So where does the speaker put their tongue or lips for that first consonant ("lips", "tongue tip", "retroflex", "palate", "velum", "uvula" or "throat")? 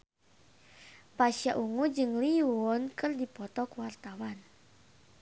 lips